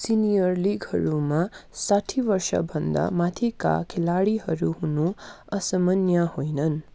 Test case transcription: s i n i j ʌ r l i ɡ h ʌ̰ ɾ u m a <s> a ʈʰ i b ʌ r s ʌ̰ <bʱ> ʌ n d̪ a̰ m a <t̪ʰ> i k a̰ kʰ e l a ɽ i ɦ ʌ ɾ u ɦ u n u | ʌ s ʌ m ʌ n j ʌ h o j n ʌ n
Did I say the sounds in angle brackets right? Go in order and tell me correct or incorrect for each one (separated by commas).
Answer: correct, correct, correct